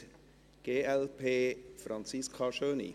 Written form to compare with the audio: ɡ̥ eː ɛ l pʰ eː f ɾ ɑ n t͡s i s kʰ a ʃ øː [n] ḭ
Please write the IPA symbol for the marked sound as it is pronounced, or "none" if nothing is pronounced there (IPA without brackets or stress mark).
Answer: n